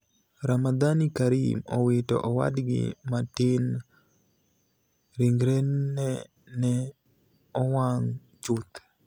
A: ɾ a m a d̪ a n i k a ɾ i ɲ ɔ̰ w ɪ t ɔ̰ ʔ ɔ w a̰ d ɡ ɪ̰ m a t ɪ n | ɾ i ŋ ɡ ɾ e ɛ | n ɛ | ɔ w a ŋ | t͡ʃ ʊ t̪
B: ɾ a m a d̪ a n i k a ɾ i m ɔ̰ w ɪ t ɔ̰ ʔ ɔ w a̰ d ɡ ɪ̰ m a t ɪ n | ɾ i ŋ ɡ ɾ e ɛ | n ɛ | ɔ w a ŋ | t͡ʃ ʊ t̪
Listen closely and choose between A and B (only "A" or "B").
B